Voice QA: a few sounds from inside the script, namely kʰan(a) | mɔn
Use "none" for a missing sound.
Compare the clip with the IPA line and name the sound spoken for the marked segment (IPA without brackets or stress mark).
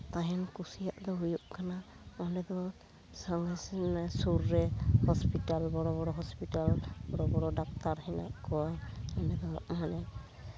a